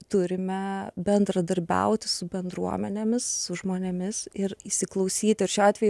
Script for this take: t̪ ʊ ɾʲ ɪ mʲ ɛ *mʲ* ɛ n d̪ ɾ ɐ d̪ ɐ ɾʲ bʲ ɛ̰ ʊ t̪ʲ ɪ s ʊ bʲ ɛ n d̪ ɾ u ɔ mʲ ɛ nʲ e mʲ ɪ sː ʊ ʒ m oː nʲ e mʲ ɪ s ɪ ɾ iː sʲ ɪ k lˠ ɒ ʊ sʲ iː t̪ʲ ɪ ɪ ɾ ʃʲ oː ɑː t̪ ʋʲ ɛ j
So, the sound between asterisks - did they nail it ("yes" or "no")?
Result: no